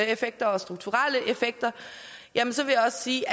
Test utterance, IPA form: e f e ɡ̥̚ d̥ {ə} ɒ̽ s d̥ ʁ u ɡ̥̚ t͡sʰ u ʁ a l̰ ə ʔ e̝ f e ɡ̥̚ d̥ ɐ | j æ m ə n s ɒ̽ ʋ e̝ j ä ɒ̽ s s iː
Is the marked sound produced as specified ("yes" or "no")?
no